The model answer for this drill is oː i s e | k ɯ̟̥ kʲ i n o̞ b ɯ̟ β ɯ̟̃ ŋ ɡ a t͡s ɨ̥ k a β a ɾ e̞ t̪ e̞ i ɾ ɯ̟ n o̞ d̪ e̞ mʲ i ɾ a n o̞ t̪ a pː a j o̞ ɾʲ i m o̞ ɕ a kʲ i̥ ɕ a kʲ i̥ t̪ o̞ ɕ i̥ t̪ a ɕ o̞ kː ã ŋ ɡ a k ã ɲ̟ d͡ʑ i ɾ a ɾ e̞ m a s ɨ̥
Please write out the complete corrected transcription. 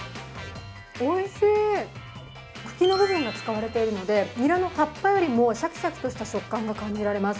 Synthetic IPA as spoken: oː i s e | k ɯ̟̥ kʲ i n o̞ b ɯ̟ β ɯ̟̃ ŋ ɡ a t͡s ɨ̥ k a β a ɾ e̞ t̪ e̞ i ɾ ɯ̟ n o̞ d̪ e̞ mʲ i ɾ a n o̞ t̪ a pː a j o̞ ɾʲ i m o̞ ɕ a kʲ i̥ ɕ a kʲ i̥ t̪ o̞ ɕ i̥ t̪ a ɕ o̞ kː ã ŋ ɡ a k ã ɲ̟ d͡ʑ i ɾ a ɾ e̞ m a s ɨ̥